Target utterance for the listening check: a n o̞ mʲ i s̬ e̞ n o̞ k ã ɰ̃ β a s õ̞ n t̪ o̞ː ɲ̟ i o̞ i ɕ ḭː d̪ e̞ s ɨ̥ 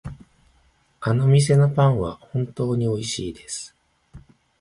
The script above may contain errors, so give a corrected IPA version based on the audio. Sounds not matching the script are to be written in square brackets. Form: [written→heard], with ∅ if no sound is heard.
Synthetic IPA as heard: a n o̞ mʲ i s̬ e̞ n o̞ [k→p] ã ɰ̃ β a [s→h] õ̞ n t̪ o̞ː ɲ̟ i o̞ i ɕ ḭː d̪ e̞ s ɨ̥